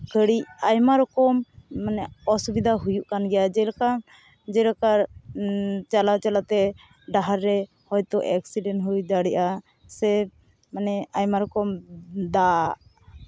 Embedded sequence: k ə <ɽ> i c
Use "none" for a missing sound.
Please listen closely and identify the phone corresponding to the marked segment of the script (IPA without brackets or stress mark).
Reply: ɽ